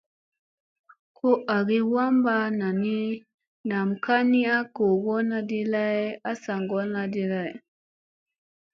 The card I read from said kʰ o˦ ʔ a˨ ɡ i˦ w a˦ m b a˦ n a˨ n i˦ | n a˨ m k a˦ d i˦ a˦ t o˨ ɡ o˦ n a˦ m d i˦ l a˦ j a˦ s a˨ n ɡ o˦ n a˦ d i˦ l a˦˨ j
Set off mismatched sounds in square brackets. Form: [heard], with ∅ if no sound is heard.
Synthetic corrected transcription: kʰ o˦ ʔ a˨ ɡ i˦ w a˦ m b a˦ n a˨ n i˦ | n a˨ m k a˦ [n] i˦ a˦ [k] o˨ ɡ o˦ n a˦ [∅] d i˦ l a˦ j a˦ s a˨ [ŋ] ɡ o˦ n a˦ d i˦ l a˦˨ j

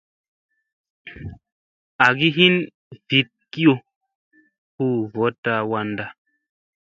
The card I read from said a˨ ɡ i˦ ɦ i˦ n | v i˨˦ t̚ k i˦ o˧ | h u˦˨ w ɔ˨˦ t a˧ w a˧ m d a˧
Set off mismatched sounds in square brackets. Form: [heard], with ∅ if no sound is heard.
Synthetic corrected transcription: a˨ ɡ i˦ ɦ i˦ n | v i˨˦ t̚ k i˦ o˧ | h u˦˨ [v] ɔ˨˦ t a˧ w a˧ [n] d a˧

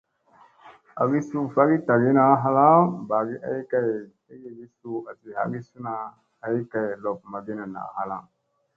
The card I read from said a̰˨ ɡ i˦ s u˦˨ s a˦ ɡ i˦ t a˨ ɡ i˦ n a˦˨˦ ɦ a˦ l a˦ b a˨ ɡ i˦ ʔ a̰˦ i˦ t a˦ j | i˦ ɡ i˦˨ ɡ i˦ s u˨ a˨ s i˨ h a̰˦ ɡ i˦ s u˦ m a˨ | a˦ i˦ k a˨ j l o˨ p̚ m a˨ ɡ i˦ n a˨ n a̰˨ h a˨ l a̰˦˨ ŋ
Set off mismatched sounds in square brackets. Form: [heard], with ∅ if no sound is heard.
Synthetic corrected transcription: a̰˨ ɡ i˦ s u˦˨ [f] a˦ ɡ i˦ t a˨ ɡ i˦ n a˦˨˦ ɦ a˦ l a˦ b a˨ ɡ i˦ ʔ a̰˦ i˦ [k] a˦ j | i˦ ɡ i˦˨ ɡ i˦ s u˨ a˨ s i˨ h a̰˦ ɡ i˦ s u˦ [n] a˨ | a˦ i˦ k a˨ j l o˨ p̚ m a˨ ɡ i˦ n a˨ n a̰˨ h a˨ l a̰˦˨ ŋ

